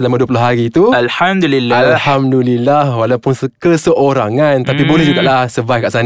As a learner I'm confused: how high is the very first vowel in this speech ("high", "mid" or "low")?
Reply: mid